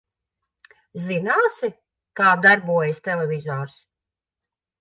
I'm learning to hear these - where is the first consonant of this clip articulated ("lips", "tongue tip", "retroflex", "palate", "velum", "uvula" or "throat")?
tongue tip